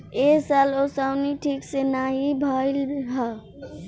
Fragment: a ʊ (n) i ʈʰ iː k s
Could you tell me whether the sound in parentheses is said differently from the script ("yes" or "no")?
no